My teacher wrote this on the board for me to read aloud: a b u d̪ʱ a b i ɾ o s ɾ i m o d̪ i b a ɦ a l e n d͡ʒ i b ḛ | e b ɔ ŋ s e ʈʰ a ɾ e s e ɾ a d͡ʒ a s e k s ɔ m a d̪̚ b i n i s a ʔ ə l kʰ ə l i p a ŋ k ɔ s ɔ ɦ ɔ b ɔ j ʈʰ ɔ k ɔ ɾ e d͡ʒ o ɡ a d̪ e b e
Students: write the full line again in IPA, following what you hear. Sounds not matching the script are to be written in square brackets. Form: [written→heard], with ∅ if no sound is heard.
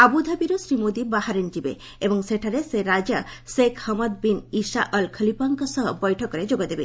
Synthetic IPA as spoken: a b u d̪ʱ a b i ɾ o s ɾ i m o d̪ i b a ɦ a [l→ɾ] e n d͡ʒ i b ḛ | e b ɔ ŋ s e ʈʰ a ɾ e s e ɾ a d͡ʒ a s e k [s→h] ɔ m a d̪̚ b i n i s a ʔ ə l kʰ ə l i p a ŋ k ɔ s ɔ ɦ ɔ b ɔ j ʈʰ ɔ k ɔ ɾ e d͡ʒ o ɡ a d̪ e b e